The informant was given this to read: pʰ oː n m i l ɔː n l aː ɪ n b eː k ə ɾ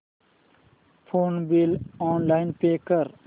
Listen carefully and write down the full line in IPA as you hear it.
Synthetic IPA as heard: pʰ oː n b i l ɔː n l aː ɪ n p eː k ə ɾ